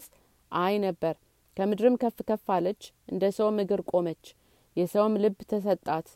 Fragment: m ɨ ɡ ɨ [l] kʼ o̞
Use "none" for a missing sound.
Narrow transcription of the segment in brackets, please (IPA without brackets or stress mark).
ɾ